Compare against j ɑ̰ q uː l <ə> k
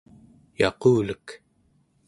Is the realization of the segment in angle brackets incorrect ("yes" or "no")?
no